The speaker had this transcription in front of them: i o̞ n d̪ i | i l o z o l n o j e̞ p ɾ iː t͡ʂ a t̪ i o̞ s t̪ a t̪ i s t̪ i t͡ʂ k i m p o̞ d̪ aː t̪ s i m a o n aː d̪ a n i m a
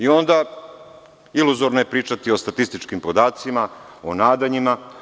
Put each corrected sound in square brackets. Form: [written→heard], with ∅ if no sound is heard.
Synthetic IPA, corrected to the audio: i o̞ n d̪ [i→a] | i l [o→u] z o [l→ɾ] n o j e̞ p ɾ iː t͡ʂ a t̪ i o̞ s t̪ a t̪ i s t̪ i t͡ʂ k i m p o̞ d̪ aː t̪ s i m a o n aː d̪ a [n→ɲ] i m a